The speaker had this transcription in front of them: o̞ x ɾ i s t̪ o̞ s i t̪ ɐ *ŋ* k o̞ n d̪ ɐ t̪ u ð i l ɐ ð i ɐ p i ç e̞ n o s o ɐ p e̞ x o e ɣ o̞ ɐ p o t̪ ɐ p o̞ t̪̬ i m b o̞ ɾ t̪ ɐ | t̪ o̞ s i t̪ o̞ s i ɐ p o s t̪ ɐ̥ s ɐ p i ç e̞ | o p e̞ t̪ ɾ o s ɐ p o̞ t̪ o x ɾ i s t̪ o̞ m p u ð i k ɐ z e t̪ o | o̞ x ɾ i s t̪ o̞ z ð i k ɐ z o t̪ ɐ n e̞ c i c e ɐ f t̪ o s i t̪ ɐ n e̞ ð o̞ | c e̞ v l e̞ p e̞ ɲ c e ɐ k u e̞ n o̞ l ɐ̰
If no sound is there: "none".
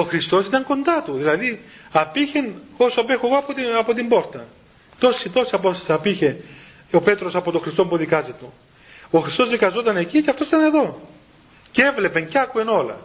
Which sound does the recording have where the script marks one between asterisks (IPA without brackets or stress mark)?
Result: ŋ